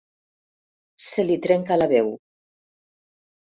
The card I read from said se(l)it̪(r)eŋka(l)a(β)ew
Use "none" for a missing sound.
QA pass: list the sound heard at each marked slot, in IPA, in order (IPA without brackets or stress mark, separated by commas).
l, ɾ, l, β